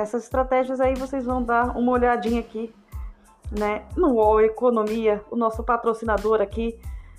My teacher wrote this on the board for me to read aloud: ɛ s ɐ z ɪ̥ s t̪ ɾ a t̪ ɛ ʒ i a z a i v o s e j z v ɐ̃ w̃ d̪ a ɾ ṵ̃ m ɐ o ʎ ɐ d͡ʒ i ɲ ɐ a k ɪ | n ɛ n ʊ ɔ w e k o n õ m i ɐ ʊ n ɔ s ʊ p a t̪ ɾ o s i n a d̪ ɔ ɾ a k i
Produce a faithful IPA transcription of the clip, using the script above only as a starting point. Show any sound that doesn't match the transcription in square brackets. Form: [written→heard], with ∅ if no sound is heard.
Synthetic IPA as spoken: ɛ s ɐ z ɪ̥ s t̪ ɾ a t̪ ɛ ʒ i [a→ɐ] z a i v o s e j z v ɐ̃ w̃ d̪ a ɾ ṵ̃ m ɐ o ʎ [ɐ→a] d͡ʒ [i→ĩ] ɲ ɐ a k [ɪ→i] | n ɛ n ʊ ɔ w e k o n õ m i ɐ ʊ n ɔ s ʊ p a t̪ ɾ o s i n a d̪ [ɔ→o] ɾ a k i